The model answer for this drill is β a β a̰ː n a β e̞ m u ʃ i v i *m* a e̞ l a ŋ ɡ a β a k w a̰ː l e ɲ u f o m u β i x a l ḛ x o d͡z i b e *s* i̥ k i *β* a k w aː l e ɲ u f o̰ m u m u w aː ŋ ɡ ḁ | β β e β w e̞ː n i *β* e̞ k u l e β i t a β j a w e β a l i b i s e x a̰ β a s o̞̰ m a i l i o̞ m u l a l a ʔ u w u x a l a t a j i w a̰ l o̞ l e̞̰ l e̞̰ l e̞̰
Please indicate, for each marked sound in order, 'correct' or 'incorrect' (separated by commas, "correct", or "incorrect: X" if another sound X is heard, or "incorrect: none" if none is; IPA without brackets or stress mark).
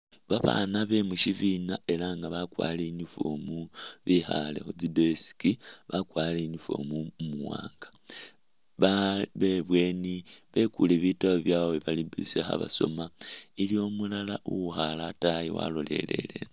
incorrect: n, correct, correct, correct